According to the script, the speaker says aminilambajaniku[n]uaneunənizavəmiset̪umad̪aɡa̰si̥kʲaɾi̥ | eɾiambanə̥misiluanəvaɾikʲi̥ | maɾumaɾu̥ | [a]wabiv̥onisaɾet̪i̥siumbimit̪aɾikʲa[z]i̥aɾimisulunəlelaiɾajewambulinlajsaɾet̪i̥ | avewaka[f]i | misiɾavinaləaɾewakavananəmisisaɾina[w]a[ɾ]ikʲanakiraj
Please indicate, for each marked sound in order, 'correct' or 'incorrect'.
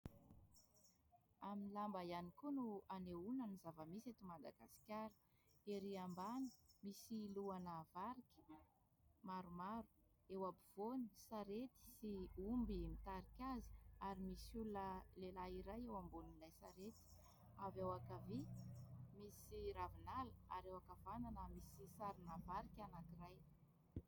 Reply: correct, incorrect: e, correct, incorrect: v, incorrect: v, correct

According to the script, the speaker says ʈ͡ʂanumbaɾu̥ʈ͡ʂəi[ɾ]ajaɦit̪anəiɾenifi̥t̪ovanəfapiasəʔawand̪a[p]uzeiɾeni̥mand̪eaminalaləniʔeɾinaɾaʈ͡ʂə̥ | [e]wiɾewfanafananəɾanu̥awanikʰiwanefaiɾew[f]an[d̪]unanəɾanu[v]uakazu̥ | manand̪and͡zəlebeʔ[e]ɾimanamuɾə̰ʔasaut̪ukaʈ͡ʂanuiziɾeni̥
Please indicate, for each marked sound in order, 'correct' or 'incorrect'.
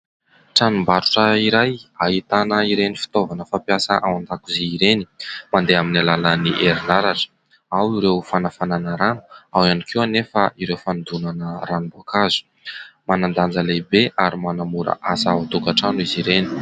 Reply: correct, incorrect: k, incorrect: a, correct, correct, incorrect: b, incorrect: a

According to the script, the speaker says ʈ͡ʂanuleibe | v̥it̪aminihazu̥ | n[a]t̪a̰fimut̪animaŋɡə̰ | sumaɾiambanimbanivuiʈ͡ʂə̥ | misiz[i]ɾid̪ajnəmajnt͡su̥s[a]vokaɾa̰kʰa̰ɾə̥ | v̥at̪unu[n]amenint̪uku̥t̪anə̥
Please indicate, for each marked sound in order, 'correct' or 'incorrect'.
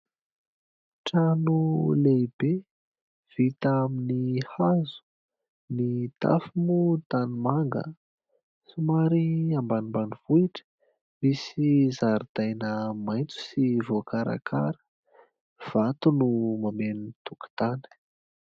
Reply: incorrect: i, incorrect: a, incorrect: i, incorrect: m

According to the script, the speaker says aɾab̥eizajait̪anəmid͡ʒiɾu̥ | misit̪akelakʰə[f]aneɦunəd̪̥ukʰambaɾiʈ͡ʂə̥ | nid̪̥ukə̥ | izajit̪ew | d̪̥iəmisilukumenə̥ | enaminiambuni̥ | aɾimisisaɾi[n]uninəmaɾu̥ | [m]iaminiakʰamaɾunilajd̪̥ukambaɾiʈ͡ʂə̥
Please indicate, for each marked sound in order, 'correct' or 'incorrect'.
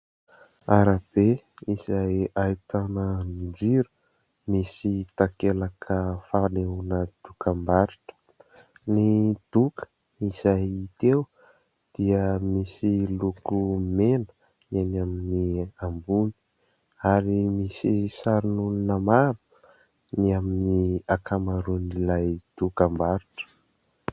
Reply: correct, correct, incorrect: n

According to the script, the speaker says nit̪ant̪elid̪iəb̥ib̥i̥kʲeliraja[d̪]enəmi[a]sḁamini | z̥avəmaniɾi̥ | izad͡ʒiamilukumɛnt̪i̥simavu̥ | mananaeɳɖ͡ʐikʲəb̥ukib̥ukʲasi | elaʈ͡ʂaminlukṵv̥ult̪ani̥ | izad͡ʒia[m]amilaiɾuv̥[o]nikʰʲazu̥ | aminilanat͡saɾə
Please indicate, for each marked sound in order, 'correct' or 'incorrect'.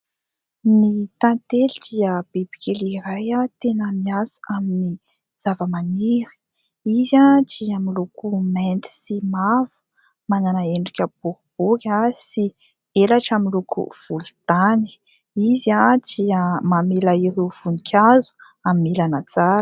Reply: incorrect: t̪, correct, correct, incorrect: u

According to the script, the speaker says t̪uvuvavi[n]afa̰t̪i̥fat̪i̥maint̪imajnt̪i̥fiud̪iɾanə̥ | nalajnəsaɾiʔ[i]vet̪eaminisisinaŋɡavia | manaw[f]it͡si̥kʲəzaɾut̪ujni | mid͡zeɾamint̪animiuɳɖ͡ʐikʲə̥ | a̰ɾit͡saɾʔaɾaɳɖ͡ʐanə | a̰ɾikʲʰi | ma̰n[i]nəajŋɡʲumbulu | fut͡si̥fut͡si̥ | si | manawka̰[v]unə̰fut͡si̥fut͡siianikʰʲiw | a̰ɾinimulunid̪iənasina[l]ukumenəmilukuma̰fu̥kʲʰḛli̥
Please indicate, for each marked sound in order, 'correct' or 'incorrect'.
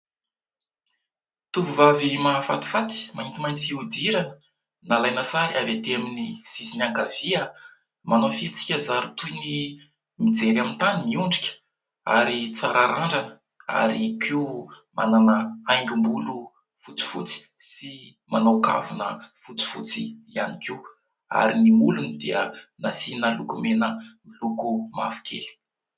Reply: incorrect: m, incorrect: a, correct, incorrect: a, correct, correct

